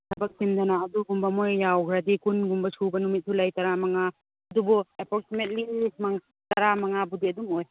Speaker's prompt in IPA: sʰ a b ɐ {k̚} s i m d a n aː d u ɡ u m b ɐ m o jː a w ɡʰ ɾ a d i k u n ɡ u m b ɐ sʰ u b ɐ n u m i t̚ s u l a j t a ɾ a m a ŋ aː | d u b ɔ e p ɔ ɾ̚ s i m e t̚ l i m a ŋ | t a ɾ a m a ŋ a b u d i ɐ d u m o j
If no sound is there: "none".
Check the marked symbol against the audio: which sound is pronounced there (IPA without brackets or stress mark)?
k̚